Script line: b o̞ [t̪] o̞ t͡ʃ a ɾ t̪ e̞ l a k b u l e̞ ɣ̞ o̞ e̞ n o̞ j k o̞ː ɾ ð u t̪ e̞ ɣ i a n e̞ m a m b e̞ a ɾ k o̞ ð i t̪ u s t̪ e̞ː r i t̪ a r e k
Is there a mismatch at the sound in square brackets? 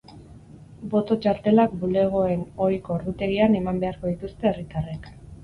no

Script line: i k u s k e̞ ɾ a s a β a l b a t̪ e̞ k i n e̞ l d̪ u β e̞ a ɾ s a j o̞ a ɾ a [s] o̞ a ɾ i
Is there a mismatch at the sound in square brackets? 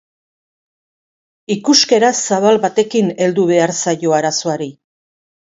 no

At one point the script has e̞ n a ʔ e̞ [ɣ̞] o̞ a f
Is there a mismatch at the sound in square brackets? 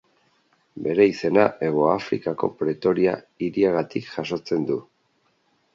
no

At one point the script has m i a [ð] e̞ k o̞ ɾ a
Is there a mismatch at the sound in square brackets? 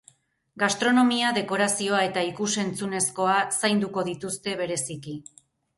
no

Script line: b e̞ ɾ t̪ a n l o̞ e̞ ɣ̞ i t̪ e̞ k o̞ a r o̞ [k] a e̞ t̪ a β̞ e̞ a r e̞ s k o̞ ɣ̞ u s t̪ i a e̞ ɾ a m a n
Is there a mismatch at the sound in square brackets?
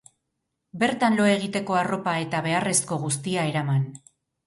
yes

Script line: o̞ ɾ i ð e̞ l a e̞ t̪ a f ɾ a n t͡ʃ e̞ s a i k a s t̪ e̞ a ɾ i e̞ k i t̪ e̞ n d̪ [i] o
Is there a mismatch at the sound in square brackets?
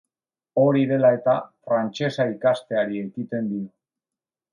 no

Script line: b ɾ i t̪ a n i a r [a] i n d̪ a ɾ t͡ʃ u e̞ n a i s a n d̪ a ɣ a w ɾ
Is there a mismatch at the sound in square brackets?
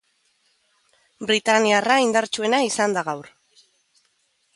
no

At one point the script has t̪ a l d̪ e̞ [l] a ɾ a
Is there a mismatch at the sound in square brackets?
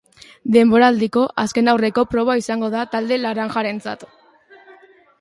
no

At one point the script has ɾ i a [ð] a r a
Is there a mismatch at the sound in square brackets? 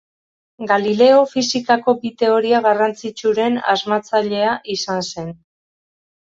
yes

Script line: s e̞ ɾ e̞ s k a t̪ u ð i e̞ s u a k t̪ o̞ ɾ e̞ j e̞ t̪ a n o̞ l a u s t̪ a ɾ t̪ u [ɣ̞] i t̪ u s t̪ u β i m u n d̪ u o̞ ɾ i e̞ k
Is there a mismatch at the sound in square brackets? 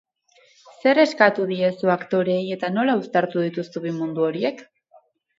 yes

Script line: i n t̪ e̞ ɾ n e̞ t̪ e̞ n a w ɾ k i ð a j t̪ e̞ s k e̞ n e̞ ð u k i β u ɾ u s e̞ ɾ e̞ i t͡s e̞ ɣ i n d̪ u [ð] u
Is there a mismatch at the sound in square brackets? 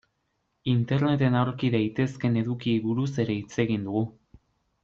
yes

